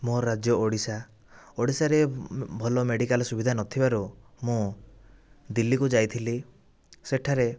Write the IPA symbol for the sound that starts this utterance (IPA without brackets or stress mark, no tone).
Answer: m